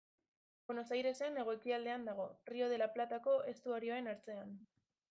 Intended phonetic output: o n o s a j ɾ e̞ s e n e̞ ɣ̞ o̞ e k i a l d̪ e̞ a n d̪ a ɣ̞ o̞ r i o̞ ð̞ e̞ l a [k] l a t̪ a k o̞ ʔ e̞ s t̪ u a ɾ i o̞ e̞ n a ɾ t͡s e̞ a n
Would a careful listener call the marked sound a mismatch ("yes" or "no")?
yes